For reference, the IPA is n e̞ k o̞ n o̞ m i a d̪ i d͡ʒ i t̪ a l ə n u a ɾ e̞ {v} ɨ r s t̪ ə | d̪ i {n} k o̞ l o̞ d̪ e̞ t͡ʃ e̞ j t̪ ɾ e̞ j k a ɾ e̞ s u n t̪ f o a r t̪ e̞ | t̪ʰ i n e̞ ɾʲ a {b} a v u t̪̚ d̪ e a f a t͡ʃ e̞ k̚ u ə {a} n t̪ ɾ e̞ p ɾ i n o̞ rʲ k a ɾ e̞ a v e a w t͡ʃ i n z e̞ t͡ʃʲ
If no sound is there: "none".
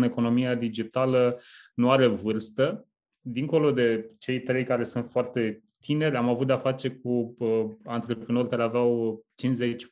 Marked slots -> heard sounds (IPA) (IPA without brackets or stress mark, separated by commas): v, ŋ, m, a